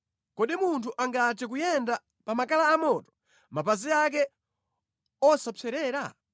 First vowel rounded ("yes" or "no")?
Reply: yes